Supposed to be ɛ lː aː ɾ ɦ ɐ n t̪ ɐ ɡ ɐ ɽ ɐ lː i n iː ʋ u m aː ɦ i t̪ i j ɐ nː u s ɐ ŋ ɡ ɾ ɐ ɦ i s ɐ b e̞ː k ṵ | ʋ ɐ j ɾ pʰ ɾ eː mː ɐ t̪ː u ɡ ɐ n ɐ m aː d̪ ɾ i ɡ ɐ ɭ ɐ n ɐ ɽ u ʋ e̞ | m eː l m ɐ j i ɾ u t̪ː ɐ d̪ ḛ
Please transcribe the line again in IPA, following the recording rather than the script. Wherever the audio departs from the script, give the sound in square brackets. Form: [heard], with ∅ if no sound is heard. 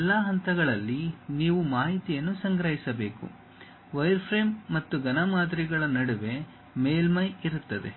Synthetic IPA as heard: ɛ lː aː [∅] ɦ ɐ n t̪ ɐ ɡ ɐ [ɭ] ɐ lː i n iː ʋ u m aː ɦ i t̪ i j ɐ nː u s ɐ ŋ ɡ ɾ ɐ ɦ i s ɐ b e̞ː k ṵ | ʋ ɐ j ɾ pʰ ɾ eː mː ɐ t̪ː u ɡ ɐ n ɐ m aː d̪ ɾ i ɡ ɐ ɭ ɐ n ɐ ɽ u ʋ e̞ | m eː l m ɐ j i ɾ u t̪ː ɐ d̪ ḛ

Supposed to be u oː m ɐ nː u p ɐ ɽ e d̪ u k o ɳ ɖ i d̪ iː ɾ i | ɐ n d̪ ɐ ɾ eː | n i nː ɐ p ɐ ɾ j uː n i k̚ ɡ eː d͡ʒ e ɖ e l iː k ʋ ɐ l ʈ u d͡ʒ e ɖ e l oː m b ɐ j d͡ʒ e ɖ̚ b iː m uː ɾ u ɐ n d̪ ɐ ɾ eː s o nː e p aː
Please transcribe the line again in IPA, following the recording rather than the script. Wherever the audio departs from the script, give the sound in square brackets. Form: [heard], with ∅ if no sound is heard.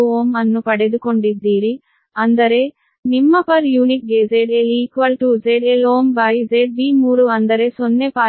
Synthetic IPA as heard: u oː m ɐ nː u p ɐ ɽ e d̪ u k o ɳ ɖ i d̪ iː ɾ i | ɐ n d̪ ɐ ɾ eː | n i [mː] ɐ p ɐ ɾ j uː n i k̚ ɡ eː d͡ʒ e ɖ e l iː k ʋ ɐ l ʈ u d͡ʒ e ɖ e l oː m b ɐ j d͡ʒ e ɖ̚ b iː m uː ɾ u ɐ n d̪ ɐ ɾ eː s o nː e p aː

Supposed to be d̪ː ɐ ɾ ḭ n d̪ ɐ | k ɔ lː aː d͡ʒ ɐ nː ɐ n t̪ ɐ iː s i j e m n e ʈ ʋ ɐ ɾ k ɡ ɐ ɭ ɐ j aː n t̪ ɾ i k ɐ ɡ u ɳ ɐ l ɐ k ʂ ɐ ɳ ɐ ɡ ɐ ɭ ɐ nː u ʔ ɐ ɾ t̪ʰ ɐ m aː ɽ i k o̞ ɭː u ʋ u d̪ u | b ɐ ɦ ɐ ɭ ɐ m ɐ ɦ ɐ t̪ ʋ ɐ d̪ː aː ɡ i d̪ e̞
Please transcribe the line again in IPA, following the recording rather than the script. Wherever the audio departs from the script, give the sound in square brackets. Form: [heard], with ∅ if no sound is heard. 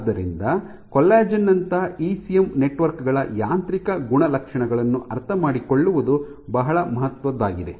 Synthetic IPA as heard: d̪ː ɐ ɾ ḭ n d̪ ɐ | k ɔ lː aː d͡ʒ ɐ nː ɐ n t̪ ɐ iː s i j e m n e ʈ ʋ ɐ ɾ k ɡ ɐ ɭ ɐ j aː n t̪ ɾ i k ɐ ɡ u ɳ ɐ l ɐ k ʂ ɐ ɳ ɐ ɡ ɐ ɭ ɐ nː u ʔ ɐ ɾ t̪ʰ ɐ m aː ɽ i k o̞ ɭː u ʋ u d̪ u | b ɐ ɦ ɐ ɭ ɐ m ɐ ɦ ɐ t̪ ʋ ɐ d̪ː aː ɡ i d̪ e̞

